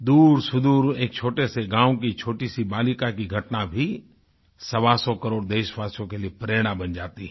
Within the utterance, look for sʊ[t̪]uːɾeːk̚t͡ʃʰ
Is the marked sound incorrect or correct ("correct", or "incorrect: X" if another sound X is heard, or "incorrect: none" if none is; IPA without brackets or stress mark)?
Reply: incorrect: d̪